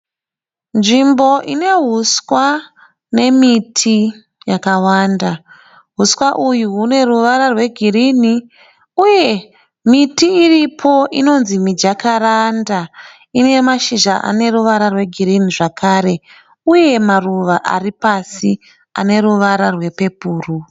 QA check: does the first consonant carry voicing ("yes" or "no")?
yes